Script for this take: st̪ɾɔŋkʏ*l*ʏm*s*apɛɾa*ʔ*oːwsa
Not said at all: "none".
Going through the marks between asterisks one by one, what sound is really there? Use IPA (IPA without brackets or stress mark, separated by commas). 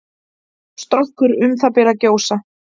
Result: ɾ, θ, c